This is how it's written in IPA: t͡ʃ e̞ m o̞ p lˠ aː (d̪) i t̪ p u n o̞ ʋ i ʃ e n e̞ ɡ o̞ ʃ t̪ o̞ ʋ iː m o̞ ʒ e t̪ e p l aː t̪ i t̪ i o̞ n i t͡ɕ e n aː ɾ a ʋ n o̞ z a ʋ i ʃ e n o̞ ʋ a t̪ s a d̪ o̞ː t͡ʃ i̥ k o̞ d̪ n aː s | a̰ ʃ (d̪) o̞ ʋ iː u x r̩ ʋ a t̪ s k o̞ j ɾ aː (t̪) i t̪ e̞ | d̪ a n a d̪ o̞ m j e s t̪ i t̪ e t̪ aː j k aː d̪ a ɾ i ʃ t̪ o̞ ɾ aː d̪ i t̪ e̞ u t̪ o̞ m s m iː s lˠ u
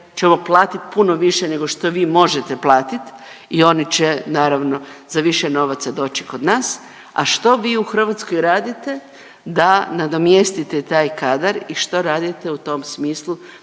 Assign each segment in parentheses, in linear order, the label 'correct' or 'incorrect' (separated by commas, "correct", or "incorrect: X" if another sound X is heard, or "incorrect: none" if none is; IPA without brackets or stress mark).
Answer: incorrect: t̪, incorrect: t̪, incorrect: d̪